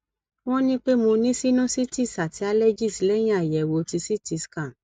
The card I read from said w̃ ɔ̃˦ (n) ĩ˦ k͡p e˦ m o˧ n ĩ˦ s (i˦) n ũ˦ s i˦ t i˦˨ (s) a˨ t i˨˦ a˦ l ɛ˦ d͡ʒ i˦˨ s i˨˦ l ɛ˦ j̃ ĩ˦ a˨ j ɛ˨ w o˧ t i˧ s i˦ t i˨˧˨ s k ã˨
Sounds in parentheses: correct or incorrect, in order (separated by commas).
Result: correct, correct, correct